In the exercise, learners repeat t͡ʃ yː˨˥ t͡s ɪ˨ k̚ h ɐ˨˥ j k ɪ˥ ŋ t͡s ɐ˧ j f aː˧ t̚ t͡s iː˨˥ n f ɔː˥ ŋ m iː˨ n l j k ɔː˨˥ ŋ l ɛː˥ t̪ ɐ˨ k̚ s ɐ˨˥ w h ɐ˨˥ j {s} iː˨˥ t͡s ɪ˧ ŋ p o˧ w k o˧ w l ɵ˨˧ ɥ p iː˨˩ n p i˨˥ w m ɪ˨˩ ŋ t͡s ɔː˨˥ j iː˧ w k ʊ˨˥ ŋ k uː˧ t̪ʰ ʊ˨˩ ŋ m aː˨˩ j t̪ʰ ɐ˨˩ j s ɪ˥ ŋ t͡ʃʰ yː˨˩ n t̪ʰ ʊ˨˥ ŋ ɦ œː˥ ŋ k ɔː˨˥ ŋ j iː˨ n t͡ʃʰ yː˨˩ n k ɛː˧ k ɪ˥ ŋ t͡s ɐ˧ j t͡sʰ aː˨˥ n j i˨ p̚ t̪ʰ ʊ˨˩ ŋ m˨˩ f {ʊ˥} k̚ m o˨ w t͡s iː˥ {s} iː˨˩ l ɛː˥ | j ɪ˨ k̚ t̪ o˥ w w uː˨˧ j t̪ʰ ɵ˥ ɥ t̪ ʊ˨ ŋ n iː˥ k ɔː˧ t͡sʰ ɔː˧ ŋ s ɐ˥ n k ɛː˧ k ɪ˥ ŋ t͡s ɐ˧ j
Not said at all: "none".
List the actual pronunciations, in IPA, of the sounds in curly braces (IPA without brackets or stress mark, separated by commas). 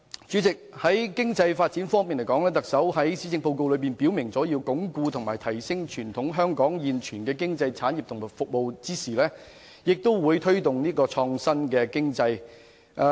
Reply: s, ʊ˨, s